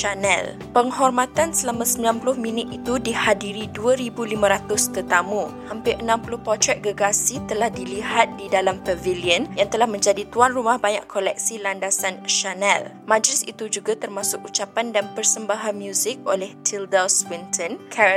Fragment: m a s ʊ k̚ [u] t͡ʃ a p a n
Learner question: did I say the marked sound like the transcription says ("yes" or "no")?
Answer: yes